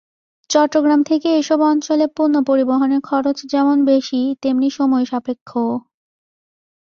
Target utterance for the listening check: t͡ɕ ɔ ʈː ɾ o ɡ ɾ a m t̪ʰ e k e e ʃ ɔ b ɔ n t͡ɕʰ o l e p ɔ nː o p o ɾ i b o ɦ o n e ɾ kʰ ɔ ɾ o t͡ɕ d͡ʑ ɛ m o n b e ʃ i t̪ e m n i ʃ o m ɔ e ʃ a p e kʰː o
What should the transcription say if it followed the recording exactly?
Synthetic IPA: t͡ɕ ɔ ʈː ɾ o ɡ ɾ a m t̪ʰ e k e e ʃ ɔ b ɔ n t͡ɕ o l e p u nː o p o ɾ i b o ɦ o n e ɾ kʰ ɔ ɾ o t͡ɕ d͡ʑ ɛ m o n b e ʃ i t̪ e m n i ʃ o m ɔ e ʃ a p e kʰː o